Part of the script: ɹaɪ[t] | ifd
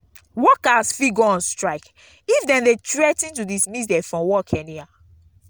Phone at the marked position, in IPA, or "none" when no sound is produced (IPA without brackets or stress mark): k